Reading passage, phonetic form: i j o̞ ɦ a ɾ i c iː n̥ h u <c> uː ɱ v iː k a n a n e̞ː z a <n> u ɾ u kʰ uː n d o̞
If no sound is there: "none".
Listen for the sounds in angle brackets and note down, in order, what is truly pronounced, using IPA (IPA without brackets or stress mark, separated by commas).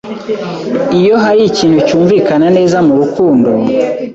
c, m